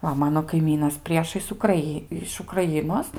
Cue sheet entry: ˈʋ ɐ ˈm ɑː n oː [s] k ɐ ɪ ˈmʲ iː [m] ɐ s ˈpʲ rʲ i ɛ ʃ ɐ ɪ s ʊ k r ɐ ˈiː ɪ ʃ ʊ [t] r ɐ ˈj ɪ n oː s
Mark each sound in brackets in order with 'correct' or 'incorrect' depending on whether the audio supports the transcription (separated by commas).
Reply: incorrect, incorrect, incorrect